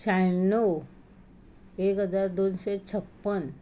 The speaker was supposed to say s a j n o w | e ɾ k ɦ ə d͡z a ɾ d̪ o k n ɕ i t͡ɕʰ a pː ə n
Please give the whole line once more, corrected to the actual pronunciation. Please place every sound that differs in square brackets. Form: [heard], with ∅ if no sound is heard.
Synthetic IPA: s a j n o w | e [∅] k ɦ ə d͡z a ɾ d̪ o [∅] n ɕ [e] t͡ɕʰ [ə] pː ə n